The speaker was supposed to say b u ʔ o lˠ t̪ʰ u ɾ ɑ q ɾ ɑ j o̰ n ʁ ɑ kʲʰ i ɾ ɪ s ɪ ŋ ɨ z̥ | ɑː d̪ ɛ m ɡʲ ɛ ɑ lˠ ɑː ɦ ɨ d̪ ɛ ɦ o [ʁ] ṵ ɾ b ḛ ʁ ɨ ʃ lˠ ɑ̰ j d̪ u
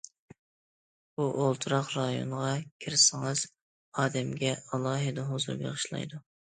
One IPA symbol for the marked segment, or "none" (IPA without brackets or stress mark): z